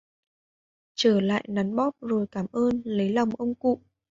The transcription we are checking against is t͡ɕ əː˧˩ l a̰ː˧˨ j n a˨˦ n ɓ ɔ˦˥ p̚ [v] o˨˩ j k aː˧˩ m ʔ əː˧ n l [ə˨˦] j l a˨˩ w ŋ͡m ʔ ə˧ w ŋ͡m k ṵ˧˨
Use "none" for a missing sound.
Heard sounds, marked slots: z, ə˨˦

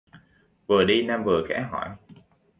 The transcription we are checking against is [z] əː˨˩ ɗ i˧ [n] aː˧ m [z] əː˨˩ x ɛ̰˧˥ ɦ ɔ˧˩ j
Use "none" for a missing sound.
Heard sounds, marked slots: v, n, v

